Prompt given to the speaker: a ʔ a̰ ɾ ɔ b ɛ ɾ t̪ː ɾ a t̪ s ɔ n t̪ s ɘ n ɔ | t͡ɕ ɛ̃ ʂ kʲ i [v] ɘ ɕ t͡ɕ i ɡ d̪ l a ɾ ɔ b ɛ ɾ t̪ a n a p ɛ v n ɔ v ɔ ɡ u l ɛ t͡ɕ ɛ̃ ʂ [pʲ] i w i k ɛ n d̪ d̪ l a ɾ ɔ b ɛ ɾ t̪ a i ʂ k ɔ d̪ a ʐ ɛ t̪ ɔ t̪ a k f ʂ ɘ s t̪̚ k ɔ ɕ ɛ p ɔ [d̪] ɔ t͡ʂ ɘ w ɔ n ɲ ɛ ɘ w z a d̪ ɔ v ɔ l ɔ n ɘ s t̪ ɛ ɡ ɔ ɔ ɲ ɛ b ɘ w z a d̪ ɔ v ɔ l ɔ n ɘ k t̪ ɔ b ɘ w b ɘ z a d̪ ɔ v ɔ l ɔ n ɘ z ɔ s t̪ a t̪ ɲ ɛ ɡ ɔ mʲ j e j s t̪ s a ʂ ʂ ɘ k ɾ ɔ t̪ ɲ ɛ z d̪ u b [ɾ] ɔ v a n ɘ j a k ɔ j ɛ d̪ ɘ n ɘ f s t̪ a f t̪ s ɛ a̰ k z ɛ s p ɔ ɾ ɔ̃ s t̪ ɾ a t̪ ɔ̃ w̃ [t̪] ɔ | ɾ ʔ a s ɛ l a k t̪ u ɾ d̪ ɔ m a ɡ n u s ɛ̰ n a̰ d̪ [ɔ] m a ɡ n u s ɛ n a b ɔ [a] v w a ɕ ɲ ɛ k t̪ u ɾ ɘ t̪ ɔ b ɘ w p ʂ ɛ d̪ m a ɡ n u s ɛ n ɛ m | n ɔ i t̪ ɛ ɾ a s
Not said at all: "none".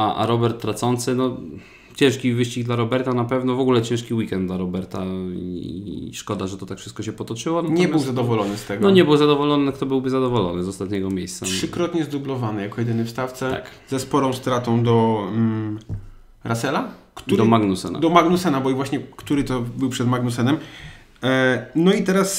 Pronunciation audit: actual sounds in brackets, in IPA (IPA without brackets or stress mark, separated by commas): v, kʲ, t̪, l, d̪, ɔ, i